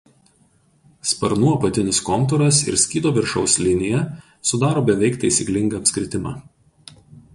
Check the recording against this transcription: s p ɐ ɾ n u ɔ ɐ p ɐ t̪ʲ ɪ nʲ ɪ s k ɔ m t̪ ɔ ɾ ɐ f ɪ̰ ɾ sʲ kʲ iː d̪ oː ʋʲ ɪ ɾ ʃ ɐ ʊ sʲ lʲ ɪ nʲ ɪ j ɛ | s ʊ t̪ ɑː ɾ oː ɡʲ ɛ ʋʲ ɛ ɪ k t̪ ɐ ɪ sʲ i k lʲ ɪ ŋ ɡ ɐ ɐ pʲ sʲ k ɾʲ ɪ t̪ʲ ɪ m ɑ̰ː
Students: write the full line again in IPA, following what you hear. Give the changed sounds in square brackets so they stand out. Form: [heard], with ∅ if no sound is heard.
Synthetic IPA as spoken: s p ɐ ɾ n u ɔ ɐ p ɐ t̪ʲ ɪ nʲ ɪ s k ɔ m t̪ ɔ ɾ ɐ [s] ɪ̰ ɾ sʲ kʲ iː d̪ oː ʋʲ ɪ ɾ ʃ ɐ ʊ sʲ lʲ ɪ nʲ ɪ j ɛ | s ʊ [d̪] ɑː ɾ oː [bʲ] ɛ ʋʲ ɛ ɪ k t̪ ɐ ɪ sʲ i k lʲ ɪ ŋ ɡ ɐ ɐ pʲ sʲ k ɾʲ ɪ t̪ʲ ɪ m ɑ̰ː